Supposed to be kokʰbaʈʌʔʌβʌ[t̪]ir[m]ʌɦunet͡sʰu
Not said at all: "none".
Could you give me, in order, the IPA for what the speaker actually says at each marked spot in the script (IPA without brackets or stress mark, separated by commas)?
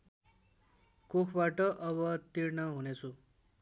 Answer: t̪, n